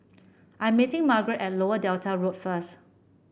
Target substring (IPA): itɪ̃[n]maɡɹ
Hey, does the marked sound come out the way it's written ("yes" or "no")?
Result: no